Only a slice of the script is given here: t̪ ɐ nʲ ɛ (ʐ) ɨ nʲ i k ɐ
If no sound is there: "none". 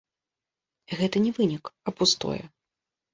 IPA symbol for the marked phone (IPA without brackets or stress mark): v